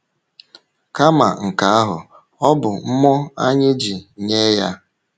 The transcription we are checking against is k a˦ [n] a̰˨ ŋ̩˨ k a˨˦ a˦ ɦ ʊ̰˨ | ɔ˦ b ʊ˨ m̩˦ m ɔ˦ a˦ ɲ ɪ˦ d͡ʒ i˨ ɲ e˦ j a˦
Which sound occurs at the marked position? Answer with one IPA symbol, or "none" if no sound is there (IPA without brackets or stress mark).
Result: m